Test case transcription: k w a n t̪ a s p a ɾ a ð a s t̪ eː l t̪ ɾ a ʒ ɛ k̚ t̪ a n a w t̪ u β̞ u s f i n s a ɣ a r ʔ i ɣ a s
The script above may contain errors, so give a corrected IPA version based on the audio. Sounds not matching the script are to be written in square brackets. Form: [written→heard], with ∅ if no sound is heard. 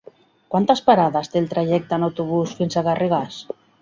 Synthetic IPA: k w a n t̪ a s p a ɾ a ð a s t̪ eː l t̪ ɾ a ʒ ɛ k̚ t̪ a n a w t̪ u β̞ u s f i n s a ɣ a r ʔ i ɣ a s